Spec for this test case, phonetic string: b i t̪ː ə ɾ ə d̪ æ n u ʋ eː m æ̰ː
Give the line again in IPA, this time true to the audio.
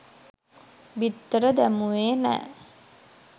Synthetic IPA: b i t̪ː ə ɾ ə d̪ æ m u ʋ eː n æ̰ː